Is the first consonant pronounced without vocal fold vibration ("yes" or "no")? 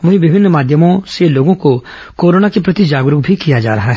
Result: no